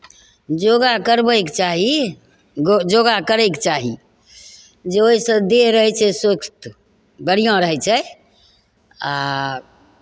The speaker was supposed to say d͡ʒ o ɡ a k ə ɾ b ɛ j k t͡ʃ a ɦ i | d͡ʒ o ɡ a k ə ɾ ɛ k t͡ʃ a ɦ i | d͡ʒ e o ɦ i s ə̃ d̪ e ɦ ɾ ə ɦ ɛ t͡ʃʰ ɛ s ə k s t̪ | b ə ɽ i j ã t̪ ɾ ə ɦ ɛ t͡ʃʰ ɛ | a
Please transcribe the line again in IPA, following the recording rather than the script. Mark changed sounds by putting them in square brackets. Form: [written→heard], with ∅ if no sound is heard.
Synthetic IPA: d͡ʒ o ɡ a k ə ɾ b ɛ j k t͡ʃ a ɦ i | d͡ʒ o ɡ a k ə ɾ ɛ k t͡ʃ a ɦ i | d͡ʒ e o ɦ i s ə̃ d̪ e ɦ ɾ ə ɦ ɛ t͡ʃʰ ɛ s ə k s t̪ | b ə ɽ i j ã [t̪→∅] ɾ ə ɦ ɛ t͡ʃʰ ɛ | a